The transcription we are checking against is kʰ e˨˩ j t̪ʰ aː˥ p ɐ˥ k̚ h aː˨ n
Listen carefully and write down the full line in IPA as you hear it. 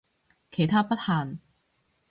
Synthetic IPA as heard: kʰ e˨˩ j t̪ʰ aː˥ p ɐ˥ t̚ h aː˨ n